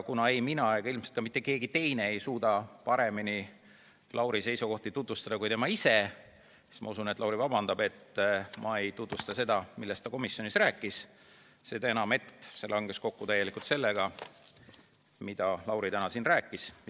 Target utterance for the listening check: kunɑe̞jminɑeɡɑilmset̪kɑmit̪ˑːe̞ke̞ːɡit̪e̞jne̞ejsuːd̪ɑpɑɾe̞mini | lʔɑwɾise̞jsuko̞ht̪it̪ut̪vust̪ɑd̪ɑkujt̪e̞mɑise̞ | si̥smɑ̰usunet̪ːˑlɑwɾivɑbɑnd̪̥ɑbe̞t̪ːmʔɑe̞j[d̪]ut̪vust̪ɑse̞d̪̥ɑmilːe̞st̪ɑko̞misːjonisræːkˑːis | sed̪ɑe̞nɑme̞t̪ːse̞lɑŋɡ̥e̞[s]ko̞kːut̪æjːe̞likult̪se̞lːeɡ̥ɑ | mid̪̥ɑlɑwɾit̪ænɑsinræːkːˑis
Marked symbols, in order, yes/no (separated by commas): no, yes